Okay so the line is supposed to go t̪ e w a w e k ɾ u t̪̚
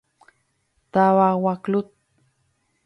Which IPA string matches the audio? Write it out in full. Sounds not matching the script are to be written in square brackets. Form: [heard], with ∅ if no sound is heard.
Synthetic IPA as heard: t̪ [a] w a w [a] k [l] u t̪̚